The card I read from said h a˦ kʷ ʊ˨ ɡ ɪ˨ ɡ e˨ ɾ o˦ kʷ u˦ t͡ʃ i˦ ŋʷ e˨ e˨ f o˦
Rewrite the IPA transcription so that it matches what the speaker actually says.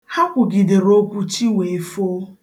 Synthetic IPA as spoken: h a˦ kʷ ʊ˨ ɡ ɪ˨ d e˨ ɾ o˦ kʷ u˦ t͡ʃ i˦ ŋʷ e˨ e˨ f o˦